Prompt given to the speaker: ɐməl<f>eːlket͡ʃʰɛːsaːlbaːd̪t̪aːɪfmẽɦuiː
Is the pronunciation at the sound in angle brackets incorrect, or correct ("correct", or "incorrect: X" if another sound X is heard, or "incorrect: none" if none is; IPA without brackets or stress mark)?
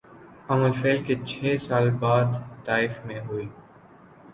correct